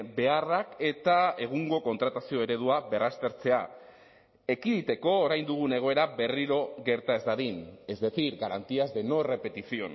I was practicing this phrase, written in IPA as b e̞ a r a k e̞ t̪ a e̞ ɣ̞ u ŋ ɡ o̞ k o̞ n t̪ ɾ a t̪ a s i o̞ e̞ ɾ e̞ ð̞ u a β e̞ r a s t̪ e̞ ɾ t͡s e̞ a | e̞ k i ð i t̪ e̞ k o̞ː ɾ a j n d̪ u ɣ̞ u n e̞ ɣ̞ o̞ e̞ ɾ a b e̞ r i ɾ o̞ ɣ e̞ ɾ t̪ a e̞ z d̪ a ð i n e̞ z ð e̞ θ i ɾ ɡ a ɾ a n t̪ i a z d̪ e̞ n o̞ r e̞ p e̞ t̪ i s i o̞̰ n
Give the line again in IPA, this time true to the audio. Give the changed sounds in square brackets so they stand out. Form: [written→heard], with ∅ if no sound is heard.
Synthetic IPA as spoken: b e̞ a r a k e̞ t̪ a e̞ ɣ̞ u ŋ ɡ o̞ k o̞ n t̪ ɾ a t̪ a s i o̞ e̞ ɾ e̞ ð̞ u a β e̞ r a s t̪ e̞ ɾ t͡s e̞ a | e̞ k i ð i t̪ e̞ k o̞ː ɾ a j n d̪ u ɣ̞ u n e̞ ɣ̞ o̞ e̞ ɾ a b e̞ r i ɾ o̞ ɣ e̞ ɾ t̪ a e̞ z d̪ a ð i n e̞ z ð e̞ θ i ɾ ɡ a ɾ a n t̪ i a z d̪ e̞ n o̞ r e̞ p e̞ t̪ i s i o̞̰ n